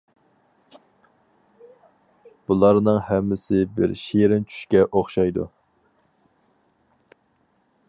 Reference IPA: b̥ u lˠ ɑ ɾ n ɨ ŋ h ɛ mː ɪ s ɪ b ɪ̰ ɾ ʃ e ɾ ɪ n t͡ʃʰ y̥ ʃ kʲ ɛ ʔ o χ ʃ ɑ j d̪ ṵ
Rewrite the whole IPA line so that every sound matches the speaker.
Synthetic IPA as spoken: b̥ u lˠ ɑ ɾ n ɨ ŋ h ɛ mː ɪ s ɪ b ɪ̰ ɾ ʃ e ɾ ɪ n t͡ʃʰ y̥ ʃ kʲ ɛ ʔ o χ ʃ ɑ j d̪ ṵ